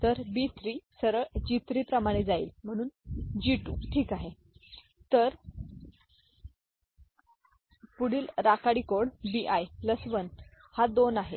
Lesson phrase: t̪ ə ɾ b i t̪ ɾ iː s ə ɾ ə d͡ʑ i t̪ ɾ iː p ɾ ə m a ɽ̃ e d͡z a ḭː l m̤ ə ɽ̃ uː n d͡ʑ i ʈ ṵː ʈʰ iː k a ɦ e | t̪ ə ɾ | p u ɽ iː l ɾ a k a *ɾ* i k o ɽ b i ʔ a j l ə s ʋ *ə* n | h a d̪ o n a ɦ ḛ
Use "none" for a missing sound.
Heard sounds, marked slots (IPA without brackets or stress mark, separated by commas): ɽ, ə